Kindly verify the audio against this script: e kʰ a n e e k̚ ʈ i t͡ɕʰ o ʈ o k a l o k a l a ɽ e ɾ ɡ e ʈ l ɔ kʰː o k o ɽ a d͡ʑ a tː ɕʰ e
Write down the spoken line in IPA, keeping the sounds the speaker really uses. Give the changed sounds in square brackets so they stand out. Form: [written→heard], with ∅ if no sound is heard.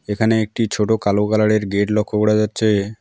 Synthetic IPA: e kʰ a n e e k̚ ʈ i t͡ɕʰ o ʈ o k a l o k a l a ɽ e ɾ ɡ e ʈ l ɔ kʰː o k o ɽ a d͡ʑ a tː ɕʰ e